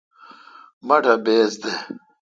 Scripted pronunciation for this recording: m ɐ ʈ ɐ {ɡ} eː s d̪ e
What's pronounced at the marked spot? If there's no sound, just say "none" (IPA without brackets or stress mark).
b